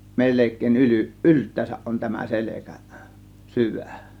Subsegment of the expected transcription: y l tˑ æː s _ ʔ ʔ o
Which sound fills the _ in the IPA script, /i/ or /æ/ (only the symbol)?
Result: æ